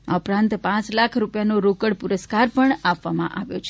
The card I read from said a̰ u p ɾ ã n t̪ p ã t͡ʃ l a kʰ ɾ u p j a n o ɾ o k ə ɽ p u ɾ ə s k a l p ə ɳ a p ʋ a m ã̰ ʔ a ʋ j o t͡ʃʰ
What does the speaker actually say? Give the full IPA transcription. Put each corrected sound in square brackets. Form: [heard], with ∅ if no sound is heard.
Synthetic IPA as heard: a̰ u p ɾ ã n t̪ p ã t͡ʃ l a kʰ ɾ u p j a n o ɾ o k ə ɽ p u ɾ ə s k a [ɾ] p ə ɳ a p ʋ a m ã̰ ʔ a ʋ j o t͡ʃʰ

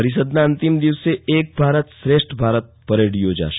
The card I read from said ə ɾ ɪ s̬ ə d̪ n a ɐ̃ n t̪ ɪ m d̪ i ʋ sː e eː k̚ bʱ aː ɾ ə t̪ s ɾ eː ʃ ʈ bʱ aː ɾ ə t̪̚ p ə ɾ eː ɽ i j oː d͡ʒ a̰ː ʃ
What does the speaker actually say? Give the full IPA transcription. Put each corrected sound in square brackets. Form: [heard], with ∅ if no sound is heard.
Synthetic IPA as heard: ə ɾ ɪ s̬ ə d̪ n a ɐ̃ n t̪ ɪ m d̪ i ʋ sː e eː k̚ bʱ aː ɾ ə t̪ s ɾ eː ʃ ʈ bʱ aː ɾ ə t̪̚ p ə ɾ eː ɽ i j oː d͡ʒ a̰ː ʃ

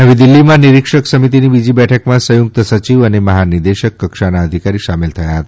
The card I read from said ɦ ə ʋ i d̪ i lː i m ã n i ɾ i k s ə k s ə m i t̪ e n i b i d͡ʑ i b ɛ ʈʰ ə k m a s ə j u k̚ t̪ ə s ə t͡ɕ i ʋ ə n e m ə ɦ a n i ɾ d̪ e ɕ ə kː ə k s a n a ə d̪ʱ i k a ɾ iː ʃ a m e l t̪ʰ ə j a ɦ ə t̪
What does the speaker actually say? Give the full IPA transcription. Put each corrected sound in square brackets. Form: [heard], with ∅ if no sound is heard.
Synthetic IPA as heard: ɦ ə ʋ i d̪ i lː i m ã n i ɾ i k [ʂ] ə k s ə m i t̪ [i] n i b i d͡ʑ i b ɛ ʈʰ ə k m a s ə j u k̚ t̪ ə s ə t͡ɕ i ʋ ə n e m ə ɦ a n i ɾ d̪ e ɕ ə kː ə k [ʂ] a n a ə d̪ʱ i k a ɾ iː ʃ a m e l t̪ʰ ə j a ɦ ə t̪

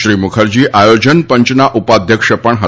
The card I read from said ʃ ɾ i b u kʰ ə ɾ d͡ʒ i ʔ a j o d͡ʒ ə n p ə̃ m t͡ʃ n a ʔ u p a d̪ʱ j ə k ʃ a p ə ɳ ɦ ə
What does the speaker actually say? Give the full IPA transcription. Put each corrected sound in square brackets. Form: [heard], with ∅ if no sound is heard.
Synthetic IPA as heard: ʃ ɾ i [m] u kʰ ə ɾ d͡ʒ i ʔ a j o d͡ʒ ə n p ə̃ [ɲ] t͡ʃ n a ʔ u p a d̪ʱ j ə k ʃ [ə] p ə ɳ ɦ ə

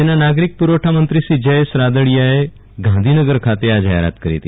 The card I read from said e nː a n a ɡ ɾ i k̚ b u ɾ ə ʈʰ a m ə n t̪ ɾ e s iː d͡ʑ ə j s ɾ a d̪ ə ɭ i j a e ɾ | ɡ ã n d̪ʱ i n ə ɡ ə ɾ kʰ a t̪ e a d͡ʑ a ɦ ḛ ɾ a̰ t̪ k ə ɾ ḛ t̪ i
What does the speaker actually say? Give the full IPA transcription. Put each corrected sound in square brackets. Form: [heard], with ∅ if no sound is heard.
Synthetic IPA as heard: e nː a n a ɡ ɾ i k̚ [p] u ɾ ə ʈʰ a m ə n t̪ ɾ [i] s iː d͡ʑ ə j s ɾ a d̪ ə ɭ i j a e [∅] | ɡ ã n d̪ʱ i n ə ɡ ə ɾ kʰ a t̪ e a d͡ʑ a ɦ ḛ ɾ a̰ t̪ k ə ɾ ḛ t̪ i

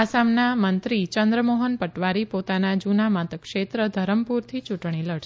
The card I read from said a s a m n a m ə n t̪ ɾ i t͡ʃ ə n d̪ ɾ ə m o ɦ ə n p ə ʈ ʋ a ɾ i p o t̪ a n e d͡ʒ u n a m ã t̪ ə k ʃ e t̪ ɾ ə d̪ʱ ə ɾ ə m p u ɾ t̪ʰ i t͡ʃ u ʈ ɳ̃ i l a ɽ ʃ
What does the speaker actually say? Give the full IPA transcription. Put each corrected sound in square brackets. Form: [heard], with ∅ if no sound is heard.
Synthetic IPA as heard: a s a m n a m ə n t̪ ɾ i t͡ʃ ə n d̪ ɾ ə m o ɦ ə n p ə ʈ ʋ a ɾ i p o t̪ a n [a] d͡ʒ u n a m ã t̪ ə k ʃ e t̪ ɾ ə d̪ʱ ə ɾ ə m p u ɾ t̪ʰ i t͡ʃ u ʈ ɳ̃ i l [ə] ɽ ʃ

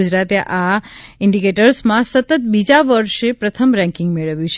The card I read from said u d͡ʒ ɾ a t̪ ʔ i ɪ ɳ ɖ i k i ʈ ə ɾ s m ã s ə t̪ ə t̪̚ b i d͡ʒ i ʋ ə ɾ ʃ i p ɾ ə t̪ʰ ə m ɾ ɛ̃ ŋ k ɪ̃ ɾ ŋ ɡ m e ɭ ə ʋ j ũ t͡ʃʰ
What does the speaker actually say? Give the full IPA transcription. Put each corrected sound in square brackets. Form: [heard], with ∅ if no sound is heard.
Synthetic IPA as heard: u d͡ʒ ɾ a t̪ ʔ [a] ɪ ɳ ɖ i k [e] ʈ ə ɾ s m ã s ə t̪ ə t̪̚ b i d͡ʒ [a] ʋ ə ɾ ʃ [e] p ɾ ə t̪ʰ ə m ɾ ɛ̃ ŋ k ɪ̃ [∅] ŋ ɡ m e ɭ ə ʋ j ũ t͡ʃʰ

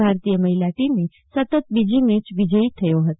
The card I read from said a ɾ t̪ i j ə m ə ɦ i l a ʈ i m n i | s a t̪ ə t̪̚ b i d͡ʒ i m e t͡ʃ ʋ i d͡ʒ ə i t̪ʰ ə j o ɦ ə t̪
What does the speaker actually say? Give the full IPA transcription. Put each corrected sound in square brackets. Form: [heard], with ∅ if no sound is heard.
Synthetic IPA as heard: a ɾ t̪ i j ə m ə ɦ i l a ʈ i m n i | s [ə] t̪ ə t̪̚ b i d͡ʒ i m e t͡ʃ ʋ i d͡ʒ ə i t̪ʰ ə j o ɦ ə t̪

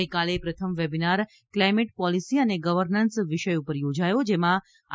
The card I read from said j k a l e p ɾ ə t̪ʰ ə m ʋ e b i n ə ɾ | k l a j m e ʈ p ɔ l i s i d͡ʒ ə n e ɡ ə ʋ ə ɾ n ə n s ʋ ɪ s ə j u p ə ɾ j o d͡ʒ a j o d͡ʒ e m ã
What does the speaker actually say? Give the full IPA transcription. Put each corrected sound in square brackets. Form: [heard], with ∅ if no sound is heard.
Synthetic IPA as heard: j k a l e p ɾ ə t̪ʰ ə m ʋ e b i n [a] ɾ | k l a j m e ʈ p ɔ l i s i [∅] ə n e ɡ ə ʋ ə ɾ n ə n s ʋ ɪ [ʃ] ə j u p ə ɾ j o d͡ʒ a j o d͡ʒ e m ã

